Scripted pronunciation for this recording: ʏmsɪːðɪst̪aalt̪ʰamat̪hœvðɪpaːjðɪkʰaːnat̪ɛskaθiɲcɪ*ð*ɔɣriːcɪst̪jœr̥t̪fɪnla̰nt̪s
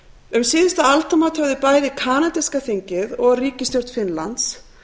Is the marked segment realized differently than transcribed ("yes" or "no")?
no